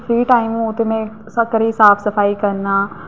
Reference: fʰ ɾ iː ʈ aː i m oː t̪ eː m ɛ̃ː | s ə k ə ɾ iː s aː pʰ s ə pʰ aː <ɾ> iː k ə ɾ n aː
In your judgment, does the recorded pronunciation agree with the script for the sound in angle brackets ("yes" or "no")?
no